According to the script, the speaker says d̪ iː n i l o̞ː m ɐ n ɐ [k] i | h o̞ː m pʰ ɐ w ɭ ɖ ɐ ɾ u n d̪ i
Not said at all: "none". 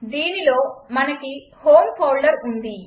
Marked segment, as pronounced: k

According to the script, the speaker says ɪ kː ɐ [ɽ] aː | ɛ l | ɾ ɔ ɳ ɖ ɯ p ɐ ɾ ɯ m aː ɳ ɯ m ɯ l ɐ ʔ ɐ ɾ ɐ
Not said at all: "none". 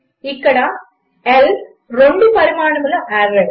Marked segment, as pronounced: ɽ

